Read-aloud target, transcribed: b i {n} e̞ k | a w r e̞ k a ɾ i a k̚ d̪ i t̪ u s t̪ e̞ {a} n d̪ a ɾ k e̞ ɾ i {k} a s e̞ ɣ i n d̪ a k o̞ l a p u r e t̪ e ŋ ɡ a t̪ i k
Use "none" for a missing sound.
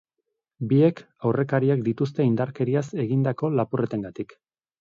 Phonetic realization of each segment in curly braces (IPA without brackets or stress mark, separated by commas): none, i, none